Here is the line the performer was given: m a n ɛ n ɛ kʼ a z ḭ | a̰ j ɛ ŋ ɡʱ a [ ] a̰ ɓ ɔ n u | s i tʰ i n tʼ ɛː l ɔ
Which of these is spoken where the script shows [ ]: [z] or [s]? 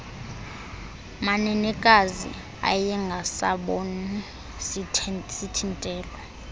s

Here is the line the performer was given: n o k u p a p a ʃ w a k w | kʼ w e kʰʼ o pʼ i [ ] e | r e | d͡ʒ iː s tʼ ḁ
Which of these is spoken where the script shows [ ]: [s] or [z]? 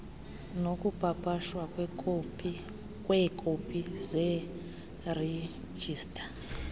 z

